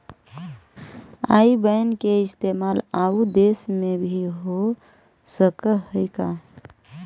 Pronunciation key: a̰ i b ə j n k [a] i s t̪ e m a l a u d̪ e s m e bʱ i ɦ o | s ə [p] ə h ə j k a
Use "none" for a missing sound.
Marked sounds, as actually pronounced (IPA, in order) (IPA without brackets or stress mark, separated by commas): e, k